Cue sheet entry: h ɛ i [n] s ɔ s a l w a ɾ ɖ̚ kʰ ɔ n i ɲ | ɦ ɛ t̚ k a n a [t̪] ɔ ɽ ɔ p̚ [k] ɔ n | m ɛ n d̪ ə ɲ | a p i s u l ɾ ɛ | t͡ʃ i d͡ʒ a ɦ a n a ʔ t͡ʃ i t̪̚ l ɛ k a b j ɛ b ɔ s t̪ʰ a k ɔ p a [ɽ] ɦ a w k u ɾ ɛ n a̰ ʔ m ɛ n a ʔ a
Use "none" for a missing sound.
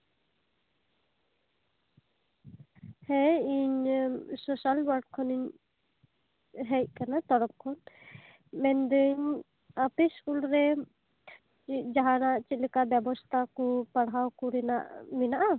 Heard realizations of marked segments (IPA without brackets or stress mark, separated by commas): ɲ, t̪, kʰ, ɽ